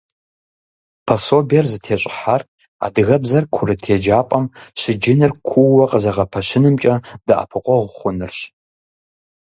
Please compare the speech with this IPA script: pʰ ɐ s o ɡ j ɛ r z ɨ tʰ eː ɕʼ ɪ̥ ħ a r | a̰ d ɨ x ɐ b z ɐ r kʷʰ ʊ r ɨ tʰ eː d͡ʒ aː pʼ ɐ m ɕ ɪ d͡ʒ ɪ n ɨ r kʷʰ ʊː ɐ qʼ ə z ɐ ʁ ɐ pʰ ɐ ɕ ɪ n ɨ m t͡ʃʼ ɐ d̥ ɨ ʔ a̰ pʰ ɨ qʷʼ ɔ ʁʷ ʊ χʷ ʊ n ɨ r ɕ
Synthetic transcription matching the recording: pʰ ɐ s o b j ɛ r z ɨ tʰ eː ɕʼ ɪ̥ ħ a r | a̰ d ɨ ɣ ɐ b z ɐ r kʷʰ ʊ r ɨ tʰ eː d͡ʒ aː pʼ ɐ m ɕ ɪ d͡ʒ ɪ n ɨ r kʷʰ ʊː ɐ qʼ ə z ɐ ʁ ɐ pʰ ɐ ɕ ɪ n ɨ m t͡ʃʼ ɐ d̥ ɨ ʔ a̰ pʰ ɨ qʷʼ ɔ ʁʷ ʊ χʷ ʊ n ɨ r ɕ